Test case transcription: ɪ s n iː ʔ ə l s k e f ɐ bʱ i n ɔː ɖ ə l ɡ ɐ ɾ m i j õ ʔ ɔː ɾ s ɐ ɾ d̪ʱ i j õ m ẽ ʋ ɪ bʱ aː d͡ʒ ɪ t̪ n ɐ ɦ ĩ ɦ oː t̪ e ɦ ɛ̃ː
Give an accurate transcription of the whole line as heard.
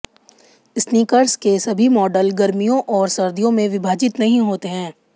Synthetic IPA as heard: ɪ s n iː k ə ɾ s k e s ɐ bʱ i m ɔː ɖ ə l ɡ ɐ ɾ m i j õ ʔ ɔː ɾ s ɐ ɾ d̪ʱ i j õ m ẽ ʋ ɪ bʱ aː d͡ʒ ɪ t̪ n ɐ ɦ ĩ ɦ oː t̪ e ɦ ɛ̃ː